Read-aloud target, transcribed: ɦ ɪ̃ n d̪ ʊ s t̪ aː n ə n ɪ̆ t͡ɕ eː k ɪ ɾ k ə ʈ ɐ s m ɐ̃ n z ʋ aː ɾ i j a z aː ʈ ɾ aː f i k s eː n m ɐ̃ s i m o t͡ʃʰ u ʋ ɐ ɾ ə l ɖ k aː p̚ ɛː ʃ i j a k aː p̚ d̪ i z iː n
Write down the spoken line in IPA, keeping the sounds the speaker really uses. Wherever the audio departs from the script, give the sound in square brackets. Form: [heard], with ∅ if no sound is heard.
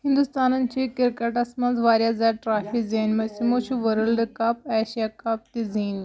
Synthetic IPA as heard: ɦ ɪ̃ n d̪ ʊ s t̪ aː n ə n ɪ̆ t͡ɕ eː k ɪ ɾ k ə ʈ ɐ s m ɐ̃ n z ʋ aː ɾ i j a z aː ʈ ɾ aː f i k [z] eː n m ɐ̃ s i m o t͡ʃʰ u ʋ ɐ ɾ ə l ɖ k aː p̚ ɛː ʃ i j a k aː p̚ [t̪] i z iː n